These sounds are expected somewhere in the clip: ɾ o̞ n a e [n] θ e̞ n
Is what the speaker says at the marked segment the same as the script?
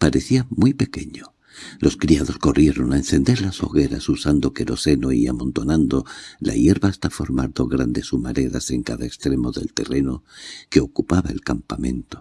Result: yes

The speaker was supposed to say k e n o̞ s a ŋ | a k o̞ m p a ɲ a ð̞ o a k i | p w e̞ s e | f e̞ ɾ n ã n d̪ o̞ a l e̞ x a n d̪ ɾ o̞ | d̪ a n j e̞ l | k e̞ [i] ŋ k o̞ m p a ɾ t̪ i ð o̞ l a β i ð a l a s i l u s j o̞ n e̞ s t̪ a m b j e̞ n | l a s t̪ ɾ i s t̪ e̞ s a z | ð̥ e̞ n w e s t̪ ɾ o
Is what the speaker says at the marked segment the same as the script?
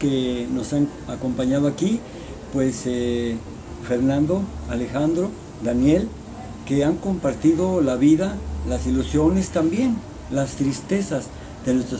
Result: no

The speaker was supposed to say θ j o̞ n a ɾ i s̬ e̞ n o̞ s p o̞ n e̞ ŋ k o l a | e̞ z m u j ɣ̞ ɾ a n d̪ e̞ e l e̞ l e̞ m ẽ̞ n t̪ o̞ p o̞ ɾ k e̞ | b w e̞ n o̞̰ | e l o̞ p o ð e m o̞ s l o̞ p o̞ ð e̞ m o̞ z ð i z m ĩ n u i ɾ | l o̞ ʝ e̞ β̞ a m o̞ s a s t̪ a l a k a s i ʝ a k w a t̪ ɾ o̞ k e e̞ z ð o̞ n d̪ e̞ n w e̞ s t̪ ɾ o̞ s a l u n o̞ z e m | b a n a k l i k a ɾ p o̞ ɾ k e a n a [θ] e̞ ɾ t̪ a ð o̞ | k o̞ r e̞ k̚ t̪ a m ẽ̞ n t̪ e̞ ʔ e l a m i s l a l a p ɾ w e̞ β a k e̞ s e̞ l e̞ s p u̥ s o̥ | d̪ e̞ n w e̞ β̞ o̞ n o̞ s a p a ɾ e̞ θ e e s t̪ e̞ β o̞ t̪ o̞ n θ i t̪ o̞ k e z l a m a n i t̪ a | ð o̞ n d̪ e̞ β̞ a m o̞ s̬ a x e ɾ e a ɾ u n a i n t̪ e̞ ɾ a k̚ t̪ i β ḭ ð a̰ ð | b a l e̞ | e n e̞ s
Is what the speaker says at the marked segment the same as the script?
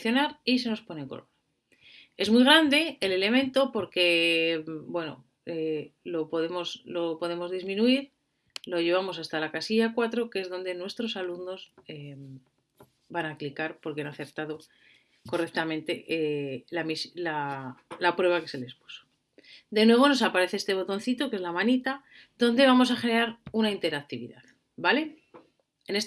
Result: yes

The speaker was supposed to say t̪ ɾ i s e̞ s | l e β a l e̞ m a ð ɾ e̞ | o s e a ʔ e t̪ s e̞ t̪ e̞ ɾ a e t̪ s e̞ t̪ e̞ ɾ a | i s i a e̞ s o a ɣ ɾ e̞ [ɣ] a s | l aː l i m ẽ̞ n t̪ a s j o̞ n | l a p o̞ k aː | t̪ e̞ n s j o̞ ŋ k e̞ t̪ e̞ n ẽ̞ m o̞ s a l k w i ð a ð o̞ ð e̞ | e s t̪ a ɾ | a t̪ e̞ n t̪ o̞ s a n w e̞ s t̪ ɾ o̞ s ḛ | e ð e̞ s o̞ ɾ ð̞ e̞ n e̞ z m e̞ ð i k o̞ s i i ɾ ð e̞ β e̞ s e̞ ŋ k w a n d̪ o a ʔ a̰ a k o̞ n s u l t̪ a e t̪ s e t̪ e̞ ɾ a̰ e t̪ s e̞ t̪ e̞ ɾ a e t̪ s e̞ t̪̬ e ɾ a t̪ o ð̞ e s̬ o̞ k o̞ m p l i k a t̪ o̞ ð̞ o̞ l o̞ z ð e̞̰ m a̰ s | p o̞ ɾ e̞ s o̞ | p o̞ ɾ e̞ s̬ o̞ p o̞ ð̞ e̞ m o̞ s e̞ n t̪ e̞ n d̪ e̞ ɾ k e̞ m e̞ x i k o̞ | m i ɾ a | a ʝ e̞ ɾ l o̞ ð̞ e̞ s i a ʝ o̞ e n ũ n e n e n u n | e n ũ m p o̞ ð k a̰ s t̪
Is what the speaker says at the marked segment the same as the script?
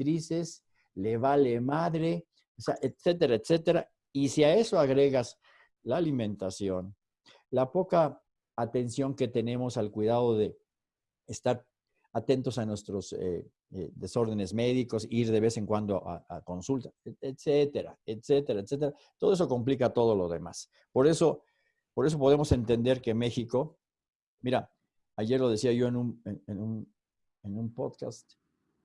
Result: yes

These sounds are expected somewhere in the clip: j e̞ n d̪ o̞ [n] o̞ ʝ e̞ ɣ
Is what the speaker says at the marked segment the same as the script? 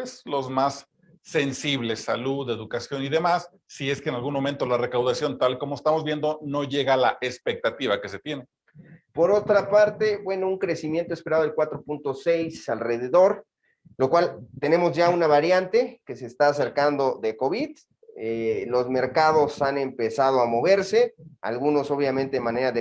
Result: yes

